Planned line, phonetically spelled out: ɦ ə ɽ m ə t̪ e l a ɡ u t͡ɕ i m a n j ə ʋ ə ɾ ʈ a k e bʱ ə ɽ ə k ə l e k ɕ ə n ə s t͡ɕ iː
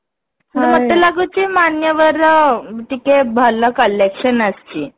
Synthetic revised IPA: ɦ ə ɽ m ə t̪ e l a ɡ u t͡ɕ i m a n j ə ʋ ə ɾ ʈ i k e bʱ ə l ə k ə l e k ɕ ə n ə s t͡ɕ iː